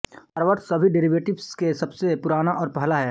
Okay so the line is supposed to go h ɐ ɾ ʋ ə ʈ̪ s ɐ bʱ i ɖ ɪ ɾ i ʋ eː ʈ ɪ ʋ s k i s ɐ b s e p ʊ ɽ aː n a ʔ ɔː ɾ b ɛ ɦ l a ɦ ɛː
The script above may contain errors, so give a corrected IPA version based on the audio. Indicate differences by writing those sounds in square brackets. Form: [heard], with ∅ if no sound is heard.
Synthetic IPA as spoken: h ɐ ɾ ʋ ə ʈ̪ s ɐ bʱ i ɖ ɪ ɾ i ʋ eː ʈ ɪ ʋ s k [e] s ɐ b s e p ʊ [ɾ] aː n a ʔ ɔː ɾ [p] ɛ ɦ l a ɦ ɛː